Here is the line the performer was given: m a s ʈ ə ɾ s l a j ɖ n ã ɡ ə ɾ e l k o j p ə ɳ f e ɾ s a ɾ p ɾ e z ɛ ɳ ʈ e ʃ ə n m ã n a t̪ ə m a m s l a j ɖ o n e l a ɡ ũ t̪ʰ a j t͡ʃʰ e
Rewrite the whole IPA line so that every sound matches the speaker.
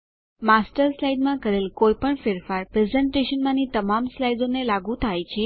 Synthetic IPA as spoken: m a s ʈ ə ɾ s l a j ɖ m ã k ə ɾ e l k o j p ə ɳ f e ɾ f a ɾ p ɾ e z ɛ ɳ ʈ e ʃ ə n m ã n i t̪ ə m a m s l a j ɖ o n e l a ɡ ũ t̪ʰ a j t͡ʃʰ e